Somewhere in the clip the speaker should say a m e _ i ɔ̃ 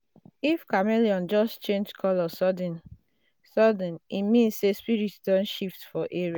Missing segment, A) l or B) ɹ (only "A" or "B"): A